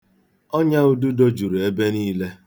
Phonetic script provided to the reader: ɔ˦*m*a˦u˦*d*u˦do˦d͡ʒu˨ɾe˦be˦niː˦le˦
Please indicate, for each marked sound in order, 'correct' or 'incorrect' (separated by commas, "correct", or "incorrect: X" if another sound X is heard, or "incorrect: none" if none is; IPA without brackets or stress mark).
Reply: incorrect: ɲ, correct